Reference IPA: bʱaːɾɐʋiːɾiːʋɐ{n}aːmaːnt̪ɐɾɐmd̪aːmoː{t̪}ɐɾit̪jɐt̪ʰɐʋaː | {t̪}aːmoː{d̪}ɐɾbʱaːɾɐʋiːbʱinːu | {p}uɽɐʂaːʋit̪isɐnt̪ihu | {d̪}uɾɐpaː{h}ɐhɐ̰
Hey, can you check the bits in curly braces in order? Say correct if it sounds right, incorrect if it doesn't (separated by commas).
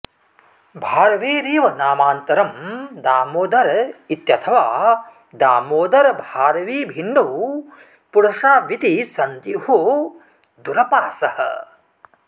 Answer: correct, incorrect, incorrect, correct, correct, correct, incorrect